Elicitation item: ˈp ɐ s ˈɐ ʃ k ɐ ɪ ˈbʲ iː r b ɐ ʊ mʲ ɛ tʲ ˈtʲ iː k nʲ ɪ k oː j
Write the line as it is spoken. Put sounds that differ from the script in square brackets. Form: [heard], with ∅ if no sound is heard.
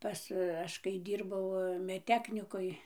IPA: ˈp ɐ s ˈɐ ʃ k ɐ ɪ [ˈdʲ] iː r b ɐ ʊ mʲ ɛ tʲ ˈtʲ [æː] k nʲ ɪ k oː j